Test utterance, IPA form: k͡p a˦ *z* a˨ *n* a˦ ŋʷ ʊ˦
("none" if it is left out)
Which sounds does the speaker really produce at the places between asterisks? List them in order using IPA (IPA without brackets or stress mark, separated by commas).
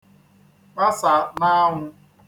s, n